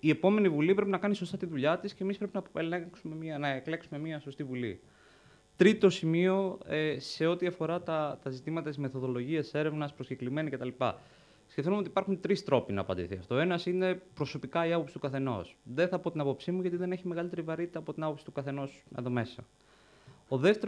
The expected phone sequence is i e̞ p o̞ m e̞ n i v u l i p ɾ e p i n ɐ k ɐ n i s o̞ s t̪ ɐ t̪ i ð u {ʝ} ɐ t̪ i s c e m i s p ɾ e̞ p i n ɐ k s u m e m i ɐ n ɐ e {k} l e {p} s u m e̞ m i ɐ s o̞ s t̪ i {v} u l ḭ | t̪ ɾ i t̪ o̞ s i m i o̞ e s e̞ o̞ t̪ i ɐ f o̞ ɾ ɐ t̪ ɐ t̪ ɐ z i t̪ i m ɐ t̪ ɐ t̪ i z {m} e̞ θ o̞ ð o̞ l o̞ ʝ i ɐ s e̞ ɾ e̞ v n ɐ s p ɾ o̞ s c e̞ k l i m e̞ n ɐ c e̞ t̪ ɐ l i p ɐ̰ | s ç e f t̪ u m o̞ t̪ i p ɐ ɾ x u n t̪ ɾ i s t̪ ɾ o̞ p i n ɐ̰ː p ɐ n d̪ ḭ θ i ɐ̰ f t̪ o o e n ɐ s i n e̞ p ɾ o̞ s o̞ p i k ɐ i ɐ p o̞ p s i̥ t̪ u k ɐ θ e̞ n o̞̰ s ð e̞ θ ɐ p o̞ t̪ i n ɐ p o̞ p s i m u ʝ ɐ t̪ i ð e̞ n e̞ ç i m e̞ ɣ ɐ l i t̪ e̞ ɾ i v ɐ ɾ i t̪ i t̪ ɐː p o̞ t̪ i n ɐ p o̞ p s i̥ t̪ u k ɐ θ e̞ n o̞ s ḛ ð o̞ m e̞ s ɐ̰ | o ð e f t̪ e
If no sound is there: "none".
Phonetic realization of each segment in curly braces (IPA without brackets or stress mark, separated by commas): ʎ, k, k, v, m